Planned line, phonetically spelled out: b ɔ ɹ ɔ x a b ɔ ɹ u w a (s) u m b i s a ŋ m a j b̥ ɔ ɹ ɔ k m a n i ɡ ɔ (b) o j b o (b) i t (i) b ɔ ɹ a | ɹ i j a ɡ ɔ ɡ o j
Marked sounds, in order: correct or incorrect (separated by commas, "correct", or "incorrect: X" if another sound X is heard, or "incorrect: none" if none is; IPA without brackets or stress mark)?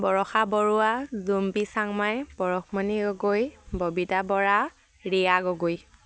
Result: incorrect: z, incorrect: ɡ, correct, incorrect: a